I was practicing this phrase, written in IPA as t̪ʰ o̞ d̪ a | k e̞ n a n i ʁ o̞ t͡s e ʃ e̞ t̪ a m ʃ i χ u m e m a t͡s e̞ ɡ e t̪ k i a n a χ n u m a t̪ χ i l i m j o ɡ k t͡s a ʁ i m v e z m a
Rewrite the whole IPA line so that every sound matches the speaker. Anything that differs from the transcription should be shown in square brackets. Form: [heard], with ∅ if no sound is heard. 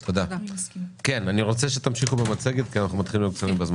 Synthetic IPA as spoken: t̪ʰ o̞ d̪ a | k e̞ n a n i ʁ o̞ t͡s e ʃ e̞ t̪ a m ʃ i χ u [b] e m a t͡s e̞ ɡ e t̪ k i a n a χ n u m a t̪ χ i l i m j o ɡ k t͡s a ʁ i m [b] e z m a